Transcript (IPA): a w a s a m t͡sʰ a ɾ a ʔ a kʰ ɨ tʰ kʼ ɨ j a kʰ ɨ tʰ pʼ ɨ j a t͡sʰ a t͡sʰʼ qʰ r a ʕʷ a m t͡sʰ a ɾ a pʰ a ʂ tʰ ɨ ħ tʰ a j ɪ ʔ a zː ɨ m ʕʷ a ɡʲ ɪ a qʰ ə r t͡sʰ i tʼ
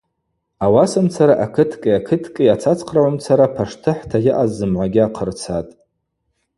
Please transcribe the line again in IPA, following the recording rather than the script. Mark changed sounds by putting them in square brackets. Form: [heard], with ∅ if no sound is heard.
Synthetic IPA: a w a s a m t͡sʰ a ɾ a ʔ a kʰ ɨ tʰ kʼ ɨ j a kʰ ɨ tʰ [kʼ] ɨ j a t͡sʰ a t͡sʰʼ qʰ r a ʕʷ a m t͡sʰ a ɾ a pʰ a ʂ tʰ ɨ ħ tʰ a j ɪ ʔ a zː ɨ m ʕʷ a ɡʲ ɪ a qʰ ə r t͡sʰ [a] tʼ